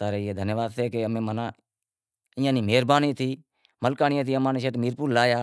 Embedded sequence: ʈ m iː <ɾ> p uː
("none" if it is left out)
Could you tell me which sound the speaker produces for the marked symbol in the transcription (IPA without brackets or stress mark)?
ɾ